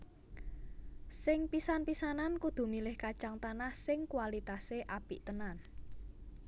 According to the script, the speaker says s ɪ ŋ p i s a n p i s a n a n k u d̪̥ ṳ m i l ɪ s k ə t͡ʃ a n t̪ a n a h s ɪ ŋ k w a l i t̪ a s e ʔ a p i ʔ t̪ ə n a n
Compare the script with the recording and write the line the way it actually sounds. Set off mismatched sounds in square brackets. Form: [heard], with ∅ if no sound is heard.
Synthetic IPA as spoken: s ɪ ŋ p i s a n p i s a n a n k u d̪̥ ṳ m i l ɪ [h] k [a] t͡ʃ a [ŋ] t̪ a n a h s ɪ ŋ k w a l i t̪ a s e ʔ a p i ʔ t̪ ə n a n